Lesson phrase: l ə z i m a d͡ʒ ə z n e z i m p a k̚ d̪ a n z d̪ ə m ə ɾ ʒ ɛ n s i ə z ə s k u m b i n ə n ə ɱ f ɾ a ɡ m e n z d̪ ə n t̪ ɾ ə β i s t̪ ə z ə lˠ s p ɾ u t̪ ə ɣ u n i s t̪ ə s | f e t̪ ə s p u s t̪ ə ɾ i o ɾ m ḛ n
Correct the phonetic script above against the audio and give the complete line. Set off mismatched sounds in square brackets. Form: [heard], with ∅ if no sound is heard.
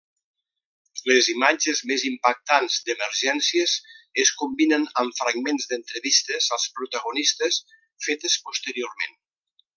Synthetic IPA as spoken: l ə z i m a d͡ʒ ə z [m] e z i m p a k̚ [t̪] a n z d̪ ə m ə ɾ ʒ ɛ n s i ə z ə s k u m b i n ə n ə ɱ f ɾ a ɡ m e n z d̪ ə n t̪ ɾ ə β i s t̪ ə z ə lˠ s p ɾ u t̪ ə ɣ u n i s t̪ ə s | f e t̪ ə s p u s t̪ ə ɾ i o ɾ m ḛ n